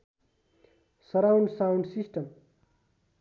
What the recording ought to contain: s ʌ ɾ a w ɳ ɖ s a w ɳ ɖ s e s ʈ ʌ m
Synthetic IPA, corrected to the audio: s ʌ ɾ a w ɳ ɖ s a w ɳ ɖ s i s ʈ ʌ m